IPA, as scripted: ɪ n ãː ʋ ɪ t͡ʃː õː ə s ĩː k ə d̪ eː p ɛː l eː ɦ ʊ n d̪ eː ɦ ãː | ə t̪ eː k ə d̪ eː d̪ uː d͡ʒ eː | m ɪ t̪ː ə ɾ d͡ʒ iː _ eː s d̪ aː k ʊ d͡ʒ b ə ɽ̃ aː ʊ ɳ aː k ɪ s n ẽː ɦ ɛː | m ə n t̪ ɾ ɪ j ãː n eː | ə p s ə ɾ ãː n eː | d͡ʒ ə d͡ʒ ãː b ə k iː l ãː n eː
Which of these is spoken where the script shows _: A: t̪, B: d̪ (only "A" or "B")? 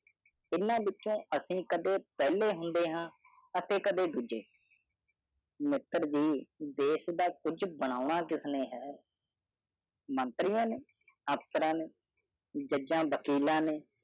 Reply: B